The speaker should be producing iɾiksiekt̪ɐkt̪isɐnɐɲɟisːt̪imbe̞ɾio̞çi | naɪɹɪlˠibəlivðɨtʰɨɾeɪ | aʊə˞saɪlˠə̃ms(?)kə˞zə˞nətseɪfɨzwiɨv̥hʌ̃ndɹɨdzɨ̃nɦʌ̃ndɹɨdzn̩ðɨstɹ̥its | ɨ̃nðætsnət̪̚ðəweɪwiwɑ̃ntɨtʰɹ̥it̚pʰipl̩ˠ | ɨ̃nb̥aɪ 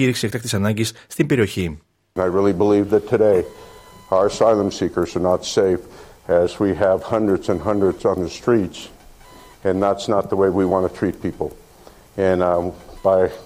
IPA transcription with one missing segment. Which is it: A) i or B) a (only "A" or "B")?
A